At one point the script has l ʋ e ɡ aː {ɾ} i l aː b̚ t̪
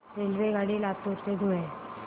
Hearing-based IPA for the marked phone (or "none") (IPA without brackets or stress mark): ɽ